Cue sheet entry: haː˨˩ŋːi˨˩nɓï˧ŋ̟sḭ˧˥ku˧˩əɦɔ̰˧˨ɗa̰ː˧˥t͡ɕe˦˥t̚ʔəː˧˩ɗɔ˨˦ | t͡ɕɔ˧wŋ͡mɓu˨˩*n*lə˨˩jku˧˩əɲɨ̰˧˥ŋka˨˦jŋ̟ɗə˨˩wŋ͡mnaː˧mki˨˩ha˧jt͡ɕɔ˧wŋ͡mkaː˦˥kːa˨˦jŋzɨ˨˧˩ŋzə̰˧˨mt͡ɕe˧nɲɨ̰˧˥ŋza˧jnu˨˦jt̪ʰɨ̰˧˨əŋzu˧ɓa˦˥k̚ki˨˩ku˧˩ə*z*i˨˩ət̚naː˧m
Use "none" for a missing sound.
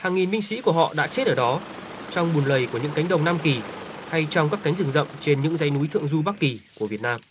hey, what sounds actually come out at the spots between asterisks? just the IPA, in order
n, v

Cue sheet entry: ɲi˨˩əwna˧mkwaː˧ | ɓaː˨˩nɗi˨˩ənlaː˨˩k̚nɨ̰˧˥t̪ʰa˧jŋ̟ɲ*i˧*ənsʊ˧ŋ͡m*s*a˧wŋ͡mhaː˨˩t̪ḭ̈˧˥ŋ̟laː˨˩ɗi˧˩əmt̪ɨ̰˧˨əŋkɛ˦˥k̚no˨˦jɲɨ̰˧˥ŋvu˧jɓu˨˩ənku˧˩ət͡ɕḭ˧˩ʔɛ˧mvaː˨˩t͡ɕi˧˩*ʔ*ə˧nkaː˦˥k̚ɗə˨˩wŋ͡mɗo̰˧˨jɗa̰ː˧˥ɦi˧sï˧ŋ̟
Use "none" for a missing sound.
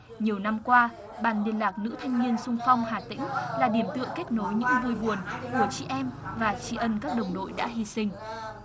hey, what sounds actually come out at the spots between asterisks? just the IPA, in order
i˧, f, ʔ

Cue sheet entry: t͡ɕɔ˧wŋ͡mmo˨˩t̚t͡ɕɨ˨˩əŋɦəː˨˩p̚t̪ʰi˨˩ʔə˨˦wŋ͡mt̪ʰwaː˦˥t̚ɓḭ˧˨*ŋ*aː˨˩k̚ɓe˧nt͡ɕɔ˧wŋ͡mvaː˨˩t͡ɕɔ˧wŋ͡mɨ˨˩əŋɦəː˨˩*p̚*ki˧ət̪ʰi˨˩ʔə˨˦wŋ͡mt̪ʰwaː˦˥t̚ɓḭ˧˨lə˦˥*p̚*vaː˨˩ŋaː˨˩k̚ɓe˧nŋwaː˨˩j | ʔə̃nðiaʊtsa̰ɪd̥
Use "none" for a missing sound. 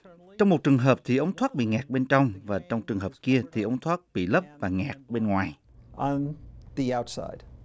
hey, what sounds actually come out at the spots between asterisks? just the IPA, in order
ŋ, p̚, p̚

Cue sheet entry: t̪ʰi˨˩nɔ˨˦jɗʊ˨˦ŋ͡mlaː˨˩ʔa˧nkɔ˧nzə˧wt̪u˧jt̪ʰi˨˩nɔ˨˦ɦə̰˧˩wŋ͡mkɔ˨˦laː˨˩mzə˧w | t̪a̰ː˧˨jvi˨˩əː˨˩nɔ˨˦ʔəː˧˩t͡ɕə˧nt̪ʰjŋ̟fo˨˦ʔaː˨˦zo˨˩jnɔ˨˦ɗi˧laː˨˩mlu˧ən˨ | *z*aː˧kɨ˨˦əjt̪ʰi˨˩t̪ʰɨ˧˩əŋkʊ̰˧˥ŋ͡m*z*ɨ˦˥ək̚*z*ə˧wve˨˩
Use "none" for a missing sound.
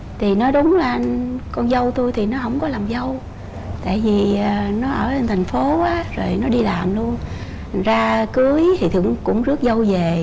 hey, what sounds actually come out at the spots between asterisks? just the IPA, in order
z, z, z

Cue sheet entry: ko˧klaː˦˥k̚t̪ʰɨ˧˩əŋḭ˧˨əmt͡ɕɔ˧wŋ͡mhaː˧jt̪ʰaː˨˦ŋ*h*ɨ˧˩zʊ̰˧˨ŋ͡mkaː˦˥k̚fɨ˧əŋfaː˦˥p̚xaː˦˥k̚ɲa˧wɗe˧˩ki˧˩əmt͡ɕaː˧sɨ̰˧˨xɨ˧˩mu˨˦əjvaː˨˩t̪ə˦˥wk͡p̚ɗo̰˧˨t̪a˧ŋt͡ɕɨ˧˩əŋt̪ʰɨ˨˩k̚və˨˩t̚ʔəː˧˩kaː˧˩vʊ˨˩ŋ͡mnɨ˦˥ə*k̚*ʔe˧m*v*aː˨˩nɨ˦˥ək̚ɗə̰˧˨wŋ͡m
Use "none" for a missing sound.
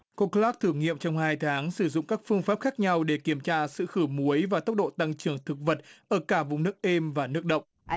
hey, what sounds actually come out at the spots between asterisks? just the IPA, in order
s, k̚, v

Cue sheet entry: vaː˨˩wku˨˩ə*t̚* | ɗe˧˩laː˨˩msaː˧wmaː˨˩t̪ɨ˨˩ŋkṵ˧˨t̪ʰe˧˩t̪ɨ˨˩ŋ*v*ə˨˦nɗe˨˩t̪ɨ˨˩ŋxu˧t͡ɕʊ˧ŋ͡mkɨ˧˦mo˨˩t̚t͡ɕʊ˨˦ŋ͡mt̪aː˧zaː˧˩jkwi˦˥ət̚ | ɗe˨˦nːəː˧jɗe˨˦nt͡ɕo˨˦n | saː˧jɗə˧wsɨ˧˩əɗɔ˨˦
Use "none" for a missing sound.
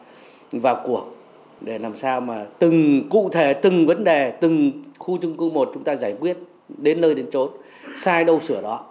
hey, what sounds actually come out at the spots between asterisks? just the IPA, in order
k̚, v

